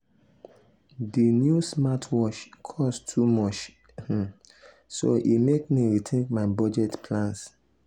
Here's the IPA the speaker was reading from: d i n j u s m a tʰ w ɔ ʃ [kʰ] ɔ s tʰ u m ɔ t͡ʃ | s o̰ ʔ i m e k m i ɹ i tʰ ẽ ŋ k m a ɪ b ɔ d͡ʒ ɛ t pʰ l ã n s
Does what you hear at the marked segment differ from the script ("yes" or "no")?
no